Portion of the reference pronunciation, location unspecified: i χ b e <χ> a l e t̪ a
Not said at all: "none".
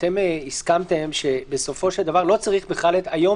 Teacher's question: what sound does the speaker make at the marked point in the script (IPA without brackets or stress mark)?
χ